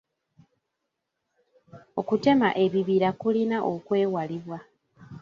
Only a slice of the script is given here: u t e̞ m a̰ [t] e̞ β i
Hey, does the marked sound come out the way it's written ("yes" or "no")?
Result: no